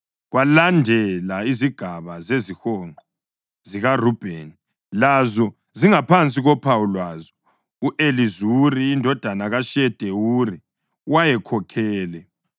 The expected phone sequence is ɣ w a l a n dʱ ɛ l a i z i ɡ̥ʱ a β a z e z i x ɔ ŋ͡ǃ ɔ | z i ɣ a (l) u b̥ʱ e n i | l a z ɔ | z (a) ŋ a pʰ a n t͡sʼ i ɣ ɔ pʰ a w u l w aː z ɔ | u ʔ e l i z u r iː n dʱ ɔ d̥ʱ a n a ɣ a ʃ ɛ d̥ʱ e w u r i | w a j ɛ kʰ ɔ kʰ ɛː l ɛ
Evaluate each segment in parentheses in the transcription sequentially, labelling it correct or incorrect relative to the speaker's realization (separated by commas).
incorrect, incorrect